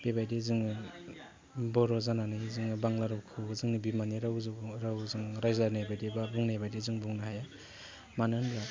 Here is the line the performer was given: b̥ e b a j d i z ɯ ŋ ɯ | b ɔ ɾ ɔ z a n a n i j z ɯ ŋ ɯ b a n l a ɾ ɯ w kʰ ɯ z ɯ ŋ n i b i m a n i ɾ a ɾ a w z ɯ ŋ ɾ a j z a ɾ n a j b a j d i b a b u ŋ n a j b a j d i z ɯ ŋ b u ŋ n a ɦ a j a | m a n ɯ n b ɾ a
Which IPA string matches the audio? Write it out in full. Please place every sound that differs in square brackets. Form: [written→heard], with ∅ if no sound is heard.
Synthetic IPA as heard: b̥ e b a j d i z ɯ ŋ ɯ | b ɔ ɾ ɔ z a n a n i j z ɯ ŋ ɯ b a [n→ŋ] l a ɾ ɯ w kʰ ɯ z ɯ ŋ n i b i m a n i ɾ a ɾ a w z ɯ ŋ ɾ a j z a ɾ n a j b a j d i b a b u ŋ n a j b a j d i z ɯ ŋ b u ŋ n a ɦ a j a | m a n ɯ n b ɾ a